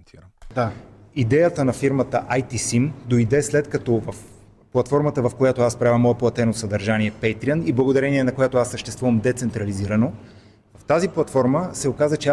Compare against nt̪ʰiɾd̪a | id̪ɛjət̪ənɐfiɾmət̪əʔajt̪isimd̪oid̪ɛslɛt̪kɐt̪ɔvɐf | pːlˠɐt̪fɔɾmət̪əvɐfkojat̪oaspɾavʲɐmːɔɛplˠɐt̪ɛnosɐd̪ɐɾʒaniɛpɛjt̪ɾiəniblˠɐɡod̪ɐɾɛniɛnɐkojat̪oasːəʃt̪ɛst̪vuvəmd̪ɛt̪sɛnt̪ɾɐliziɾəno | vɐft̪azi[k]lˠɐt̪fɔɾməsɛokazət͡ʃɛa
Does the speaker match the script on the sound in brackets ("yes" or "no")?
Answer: no